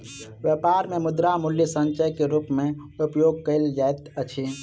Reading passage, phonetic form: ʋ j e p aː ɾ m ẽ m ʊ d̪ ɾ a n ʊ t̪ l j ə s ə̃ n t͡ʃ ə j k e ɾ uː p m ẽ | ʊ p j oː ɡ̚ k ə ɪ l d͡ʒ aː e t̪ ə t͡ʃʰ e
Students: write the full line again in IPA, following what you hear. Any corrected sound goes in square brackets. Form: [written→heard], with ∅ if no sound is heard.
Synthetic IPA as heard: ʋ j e p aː ɾ m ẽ m ʊ d̪ ɾ a [n→m] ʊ [t̪→∅] l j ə s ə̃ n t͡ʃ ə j k e ɾ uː p m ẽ | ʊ p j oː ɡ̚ k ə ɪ l d͡ʒ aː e t̪ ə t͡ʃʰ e